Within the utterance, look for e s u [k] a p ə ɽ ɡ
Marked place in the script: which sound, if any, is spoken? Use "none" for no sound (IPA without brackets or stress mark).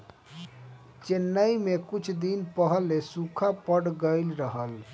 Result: kʰ